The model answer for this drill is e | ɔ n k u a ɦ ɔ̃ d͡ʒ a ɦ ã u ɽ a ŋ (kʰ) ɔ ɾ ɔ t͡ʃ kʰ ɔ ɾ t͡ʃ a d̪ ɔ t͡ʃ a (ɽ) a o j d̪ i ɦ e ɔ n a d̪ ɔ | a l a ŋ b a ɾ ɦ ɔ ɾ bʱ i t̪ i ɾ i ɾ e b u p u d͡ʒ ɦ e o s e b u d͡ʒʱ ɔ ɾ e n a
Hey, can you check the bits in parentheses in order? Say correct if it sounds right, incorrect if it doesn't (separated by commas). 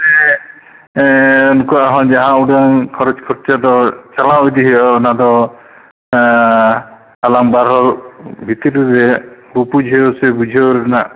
correct, incorrect